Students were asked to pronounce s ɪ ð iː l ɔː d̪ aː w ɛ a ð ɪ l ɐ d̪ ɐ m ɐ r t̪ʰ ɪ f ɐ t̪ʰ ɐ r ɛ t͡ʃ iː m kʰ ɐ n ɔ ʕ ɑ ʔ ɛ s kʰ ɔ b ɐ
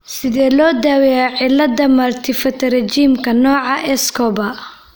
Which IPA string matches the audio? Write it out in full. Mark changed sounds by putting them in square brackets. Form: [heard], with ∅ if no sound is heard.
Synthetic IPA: s ɪ ð [ɛː] l ɔː d̪ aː w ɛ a [ʕ] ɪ l ɐ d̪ ɐ m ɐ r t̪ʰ ɪ f ɐ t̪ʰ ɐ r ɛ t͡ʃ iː m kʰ ɐ n [ɔː] ʕ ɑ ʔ ɛ s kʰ ɔ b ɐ